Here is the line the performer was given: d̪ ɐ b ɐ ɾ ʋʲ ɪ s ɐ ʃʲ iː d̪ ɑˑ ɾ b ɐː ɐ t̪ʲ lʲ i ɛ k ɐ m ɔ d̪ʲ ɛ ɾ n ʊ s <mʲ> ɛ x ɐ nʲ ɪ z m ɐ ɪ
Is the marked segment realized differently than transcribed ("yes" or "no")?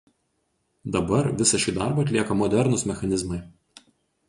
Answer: no